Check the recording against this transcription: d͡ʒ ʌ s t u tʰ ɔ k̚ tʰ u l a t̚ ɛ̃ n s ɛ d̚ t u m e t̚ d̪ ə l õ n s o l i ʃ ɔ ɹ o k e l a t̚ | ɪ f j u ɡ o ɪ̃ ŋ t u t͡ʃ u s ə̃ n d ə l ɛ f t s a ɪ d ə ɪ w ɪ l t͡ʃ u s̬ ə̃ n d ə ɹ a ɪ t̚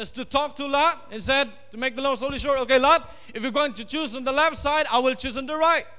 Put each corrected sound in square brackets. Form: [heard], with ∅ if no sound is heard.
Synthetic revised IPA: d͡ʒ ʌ s t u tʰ ɔ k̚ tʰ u l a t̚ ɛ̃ n s ɛ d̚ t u m e [k̚] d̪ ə l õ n s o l i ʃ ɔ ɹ o k e l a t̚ | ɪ f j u ɡ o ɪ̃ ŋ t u t͡ʃ u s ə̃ n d ə l ɛ f t s a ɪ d [a] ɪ w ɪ l t͡ʃ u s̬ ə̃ n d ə ɹ a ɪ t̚